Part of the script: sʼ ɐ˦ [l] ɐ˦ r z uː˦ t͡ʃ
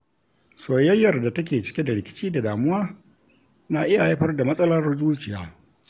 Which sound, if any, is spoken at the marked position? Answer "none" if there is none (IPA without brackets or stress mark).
l